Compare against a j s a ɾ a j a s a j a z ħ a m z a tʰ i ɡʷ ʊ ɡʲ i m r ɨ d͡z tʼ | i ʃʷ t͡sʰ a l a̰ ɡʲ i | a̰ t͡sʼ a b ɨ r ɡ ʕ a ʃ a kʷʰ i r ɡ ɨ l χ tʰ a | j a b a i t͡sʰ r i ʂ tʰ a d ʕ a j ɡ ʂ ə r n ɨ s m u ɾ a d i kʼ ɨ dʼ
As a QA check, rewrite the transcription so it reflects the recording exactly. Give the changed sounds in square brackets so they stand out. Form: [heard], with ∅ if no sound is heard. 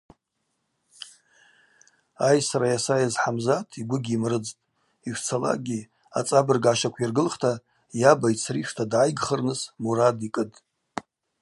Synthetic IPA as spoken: a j s a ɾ a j a s a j a z ħ a m z a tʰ i ɡʷ ʊ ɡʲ i m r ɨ d͡z tʼ | i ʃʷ t͡sʰ a l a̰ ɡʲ i | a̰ t͡sʼ a b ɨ r ɡ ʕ a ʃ a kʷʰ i r ɡ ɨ l χ tʰ a | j a b a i t͡sʰ r i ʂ tʰ a d ʕ a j ɡ [χ] ə r n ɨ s m u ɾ a d i kʼ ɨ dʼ